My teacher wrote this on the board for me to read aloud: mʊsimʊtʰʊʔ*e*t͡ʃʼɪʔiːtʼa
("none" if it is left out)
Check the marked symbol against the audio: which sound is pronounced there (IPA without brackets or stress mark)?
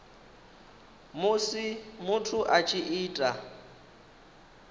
a